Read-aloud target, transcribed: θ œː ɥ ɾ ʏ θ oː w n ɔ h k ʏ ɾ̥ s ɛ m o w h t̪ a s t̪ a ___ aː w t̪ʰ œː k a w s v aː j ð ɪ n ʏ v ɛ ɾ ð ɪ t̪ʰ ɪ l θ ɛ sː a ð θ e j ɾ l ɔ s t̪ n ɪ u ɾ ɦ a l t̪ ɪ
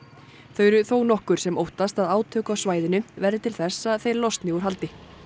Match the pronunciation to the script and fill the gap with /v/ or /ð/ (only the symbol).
ð